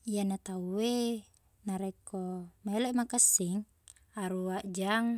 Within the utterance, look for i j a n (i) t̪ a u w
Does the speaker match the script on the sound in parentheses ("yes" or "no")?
no